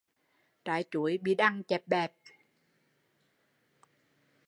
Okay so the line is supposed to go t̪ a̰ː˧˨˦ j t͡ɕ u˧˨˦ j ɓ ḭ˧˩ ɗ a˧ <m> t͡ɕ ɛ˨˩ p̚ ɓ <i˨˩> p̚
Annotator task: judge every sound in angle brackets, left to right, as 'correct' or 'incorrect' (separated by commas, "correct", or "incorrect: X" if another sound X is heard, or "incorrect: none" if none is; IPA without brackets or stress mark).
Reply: incorrect: ŋ, incorrect: ɛ˨˩